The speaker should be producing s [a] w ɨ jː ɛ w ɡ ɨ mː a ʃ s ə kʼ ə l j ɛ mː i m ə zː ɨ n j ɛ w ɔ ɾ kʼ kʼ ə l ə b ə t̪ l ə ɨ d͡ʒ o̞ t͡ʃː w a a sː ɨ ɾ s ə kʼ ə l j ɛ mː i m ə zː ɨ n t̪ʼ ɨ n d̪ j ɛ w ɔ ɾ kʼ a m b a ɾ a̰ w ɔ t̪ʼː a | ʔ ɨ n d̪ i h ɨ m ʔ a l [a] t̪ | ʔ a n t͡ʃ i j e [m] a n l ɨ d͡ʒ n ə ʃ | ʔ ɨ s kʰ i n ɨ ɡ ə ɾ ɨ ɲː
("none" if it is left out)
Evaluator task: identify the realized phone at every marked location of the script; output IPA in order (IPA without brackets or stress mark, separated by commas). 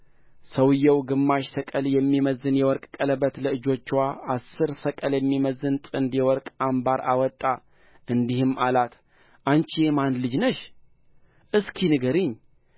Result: ə, a, m